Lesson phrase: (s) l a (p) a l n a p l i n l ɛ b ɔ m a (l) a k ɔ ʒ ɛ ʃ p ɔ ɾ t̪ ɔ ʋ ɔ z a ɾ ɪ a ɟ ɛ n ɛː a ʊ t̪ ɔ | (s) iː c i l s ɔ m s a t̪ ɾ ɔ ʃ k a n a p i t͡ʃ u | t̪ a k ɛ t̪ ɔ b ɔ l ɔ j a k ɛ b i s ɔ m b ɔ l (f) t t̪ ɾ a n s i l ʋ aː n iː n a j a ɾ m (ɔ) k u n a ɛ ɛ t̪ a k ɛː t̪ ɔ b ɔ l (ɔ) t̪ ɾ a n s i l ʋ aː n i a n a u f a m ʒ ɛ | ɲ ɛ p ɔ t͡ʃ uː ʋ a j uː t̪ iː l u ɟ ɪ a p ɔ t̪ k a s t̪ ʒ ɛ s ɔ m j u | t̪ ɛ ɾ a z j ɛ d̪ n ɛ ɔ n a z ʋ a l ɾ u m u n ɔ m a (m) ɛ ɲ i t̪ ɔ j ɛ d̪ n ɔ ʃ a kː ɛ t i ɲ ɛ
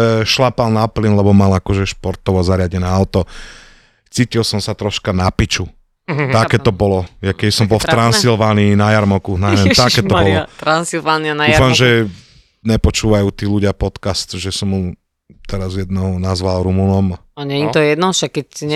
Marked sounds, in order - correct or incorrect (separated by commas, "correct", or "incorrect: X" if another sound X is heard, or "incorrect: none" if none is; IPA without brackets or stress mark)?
incorrect: ʃ, correct, correct, incorrect: t͡s, correct, correct, correct, incorrect: ɲ